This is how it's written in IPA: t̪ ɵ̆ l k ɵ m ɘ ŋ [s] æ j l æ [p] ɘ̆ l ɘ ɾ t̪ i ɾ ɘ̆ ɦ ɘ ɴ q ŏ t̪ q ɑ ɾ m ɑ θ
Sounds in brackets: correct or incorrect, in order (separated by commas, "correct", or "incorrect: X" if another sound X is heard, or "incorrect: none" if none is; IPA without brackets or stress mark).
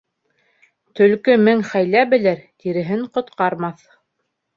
incorrect: χ, incorrect: b